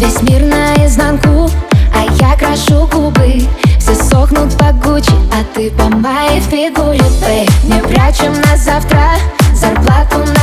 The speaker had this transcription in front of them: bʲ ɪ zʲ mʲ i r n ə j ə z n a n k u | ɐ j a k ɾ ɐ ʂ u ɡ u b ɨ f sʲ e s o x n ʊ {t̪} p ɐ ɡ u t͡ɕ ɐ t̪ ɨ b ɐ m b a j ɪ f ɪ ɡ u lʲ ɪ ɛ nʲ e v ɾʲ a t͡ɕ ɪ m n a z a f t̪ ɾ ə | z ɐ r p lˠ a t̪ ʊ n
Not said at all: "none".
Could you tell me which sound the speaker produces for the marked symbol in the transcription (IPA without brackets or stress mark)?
t̪